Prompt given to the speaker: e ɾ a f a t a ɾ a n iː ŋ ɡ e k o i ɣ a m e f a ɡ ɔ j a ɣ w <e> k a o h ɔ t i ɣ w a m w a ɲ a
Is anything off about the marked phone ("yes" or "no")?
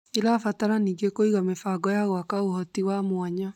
yes